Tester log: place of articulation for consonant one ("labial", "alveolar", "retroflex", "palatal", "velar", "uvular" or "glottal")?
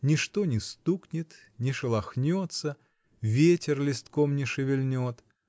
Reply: alveolar